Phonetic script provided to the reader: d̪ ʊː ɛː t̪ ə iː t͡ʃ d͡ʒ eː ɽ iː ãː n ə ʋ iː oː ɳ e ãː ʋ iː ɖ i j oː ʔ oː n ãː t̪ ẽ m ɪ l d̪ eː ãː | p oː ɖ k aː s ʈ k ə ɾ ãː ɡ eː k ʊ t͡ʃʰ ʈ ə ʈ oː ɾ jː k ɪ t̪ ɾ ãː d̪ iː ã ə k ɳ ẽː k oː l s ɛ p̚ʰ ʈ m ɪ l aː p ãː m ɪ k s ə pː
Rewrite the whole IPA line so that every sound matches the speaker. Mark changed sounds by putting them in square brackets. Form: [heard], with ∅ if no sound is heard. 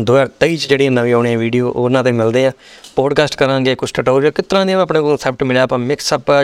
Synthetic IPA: d̪ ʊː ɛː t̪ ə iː t͡ʃ d͡ʒ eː ɽ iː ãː n ə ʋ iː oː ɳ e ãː ʋ iː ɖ i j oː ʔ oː n ãː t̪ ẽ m ɪ l d̪ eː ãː | p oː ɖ k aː s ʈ k ə ɾ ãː ɡ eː k ʊ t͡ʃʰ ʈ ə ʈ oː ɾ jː k ɪ t̪ ɾ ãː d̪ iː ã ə [p] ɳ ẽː k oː l s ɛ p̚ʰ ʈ m ɪ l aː p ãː m ɪ k s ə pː